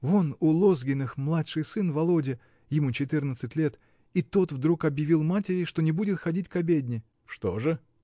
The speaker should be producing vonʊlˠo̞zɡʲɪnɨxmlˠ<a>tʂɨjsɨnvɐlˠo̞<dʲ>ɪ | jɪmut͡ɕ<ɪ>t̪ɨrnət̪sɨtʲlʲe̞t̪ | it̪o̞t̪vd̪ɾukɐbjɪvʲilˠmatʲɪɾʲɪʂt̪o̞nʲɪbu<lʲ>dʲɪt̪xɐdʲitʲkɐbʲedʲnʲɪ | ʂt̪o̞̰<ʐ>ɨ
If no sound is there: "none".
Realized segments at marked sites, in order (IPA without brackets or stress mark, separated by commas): a, dʲ, ɪ, none, ʐ